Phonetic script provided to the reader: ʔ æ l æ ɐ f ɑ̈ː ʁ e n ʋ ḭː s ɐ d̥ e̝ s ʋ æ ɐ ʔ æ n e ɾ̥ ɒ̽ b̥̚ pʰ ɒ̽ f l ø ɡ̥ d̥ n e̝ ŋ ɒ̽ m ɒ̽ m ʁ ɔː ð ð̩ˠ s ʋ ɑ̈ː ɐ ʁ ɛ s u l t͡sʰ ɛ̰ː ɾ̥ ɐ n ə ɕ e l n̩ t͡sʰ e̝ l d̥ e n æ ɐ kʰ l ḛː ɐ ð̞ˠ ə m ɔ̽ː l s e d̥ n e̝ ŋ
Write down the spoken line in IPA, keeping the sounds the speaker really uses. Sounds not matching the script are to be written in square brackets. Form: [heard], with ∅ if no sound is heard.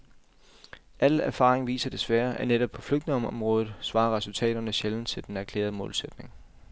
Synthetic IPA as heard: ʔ æ l æ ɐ f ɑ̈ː ʁ e [ŋ] ʋ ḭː s ɐ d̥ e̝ s ʋ æ ɐ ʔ æ n e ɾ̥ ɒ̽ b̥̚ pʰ ɒ̽ f l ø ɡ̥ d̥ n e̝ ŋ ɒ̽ m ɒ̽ m ʁ ɔː ð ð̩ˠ s ʋ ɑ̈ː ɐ ʁ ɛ s u l t͡sʰ ɛ̰ː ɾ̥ ɐ n ə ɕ e l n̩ t͡sʰ e̝ l d̥ e n æ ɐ kʰ l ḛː ɐ ð̞ˠ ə m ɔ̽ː l s e d̥ n e̝ ŋ

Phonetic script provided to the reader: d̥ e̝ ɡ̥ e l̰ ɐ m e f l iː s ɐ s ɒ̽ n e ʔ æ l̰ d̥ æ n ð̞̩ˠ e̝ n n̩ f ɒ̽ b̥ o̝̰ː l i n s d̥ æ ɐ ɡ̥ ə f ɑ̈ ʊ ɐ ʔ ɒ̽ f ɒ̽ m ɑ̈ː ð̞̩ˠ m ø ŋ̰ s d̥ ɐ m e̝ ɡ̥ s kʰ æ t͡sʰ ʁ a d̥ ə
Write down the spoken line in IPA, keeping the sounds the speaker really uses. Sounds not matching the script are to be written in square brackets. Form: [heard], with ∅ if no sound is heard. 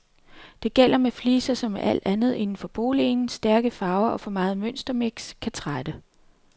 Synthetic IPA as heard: d̥ e̝ ɡ̥ e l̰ ɐ m e f l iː s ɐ s ɒ̽ [m] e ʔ æ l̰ d̥ æ n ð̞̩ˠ e̝ n n̩ f ɒ̽ b̥ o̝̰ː l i n s d̥ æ ɐ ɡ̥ ə f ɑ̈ ʊ ɐ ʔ ɒ̽ f ɒ̽ m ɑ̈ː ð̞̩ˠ m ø [n̰] s d̥ ɐ m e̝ ɡ̥ s kʰ æ t͡sʰ ʁ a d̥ ə

